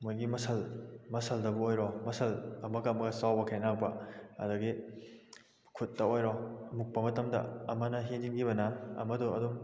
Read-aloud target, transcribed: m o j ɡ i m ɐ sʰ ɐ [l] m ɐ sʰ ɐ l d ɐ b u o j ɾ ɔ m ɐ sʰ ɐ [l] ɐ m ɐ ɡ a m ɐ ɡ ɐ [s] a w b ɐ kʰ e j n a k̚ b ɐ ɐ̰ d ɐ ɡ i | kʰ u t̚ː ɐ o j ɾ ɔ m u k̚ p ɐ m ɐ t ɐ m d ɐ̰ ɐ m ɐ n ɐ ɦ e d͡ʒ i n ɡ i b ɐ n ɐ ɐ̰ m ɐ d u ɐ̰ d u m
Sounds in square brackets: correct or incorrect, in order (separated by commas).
correct, correct, correct